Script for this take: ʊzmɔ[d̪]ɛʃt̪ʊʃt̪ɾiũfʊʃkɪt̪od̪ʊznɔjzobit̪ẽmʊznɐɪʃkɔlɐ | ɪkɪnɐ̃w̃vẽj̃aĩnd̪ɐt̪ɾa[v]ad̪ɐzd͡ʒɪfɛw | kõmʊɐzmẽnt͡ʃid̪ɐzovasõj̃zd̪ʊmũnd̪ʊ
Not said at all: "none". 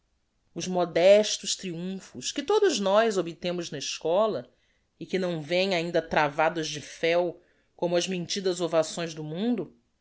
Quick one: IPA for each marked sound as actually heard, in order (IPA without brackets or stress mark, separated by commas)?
d̪, v